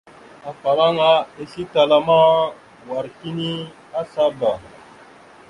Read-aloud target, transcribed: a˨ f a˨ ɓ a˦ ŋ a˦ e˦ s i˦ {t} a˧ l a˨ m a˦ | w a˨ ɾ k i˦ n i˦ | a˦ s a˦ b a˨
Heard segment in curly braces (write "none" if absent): t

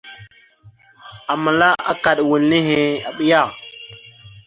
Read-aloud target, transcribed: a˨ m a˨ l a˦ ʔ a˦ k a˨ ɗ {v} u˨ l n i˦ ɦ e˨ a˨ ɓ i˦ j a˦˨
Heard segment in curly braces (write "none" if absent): w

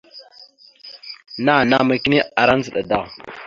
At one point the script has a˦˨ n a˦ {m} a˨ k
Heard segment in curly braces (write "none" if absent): m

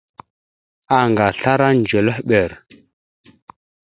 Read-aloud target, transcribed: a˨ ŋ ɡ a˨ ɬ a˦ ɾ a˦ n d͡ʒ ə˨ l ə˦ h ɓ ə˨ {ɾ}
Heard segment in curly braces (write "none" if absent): ɾ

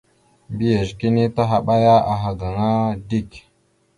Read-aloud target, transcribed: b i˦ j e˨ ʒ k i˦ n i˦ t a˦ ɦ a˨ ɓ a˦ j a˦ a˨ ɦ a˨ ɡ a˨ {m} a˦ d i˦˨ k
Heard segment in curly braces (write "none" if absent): ŋ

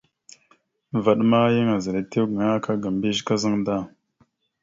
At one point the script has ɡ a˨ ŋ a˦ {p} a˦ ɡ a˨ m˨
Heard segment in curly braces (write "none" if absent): k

